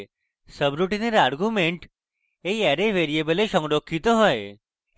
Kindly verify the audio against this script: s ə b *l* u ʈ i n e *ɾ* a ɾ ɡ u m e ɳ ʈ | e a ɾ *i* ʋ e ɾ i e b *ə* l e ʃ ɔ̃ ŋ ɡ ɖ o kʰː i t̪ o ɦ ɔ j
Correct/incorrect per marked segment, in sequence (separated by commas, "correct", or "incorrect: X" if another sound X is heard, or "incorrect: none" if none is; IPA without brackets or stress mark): incorrect: ɾ, correct, incorrect: e, correct